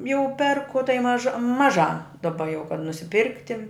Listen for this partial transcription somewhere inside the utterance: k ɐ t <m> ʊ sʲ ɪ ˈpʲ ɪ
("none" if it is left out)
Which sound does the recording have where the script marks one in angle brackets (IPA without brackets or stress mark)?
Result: n